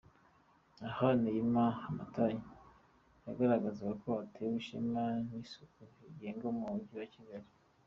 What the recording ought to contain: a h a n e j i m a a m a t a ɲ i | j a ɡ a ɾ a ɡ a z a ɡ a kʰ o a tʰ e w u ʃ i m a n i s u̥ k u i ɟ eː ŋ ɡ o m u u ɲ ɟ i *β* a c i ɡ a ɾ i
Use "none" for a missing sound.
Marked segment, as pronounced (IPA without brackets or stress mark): w